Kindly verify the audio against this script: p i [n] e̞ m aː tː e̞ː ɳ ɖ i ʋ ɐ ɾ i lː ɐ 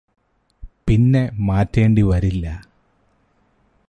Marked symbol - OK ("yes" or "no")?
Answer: no